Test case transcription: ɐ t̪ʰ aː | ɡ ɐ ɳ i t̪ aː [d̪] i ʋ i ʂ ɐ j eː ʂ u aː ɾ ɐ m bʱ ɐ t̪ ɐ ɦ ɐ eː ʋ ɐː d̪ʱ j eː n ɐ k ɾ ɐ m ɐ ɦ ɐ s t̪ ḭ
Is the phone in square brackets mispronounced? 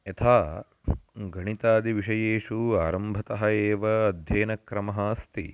no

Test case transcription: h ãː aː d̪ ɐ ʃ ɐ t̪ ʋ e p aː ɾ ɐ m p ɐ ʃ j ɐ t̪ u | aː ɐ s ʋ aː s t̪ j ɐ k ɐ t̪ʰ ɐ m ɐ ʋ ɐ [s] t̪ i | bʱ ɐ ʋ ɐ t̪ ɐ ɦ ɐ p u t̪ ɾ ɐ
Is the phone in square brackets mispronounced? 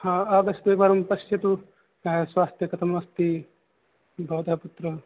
no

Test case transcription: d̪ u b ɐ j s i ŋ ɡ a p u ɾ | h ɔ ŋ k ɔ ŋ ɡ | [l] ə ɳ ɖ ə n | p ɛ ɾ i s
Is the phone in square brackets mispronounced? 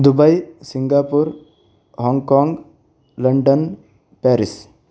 no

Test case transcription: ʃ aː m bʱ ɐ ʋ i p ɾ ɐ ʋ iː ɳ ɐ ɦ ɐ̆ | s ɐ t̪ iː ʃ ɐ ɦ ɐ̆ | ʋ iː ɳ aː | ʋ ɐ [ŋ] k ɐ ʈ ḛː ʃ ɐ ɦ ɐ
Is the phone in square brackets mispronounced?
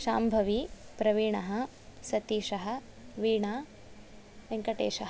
no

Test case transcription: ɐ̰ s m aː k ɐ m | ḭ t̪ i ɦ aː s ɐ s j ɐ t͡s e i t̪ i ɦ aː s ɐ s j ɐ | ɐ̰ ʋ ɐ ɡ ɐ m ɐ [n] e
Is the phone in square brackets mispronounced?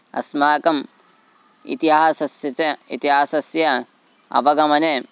no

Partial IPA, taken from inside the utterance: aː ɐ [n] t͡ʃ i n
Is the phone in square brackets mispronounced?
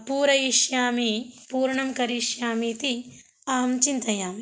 yes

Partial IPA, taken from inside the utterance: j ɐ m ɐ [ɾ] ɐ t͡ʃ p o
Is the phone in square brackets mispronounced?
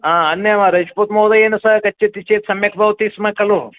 no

